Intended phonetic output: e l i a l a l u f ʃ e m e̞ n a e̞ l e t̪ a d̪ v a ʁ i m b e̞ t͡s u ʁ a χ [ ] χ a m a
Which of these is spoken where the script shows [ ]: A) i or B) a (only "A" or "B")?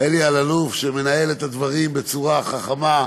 B